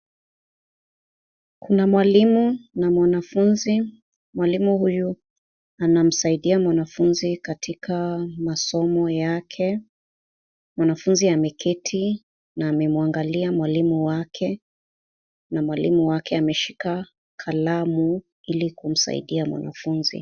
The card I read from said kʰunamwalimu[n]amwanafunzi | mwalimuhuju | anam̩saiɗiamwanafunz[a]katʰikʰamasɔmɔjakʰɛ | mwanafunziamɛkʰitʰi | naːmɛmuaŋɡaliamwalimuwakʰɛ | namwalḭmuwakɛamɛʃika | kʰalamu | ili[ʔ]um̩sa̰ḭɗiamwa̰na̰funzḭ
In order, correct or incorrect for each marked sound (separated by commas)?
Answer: correct, incorrect, incorrect